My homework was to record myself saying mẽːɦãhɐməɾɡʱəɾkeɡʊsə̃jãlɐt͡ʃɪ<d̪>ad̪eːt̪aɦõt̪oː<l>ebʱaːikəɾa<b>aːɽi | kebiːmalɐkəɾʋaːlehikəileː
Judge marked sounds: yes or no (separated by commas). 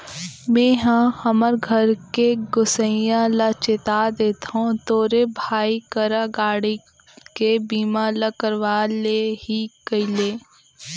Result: no, no, no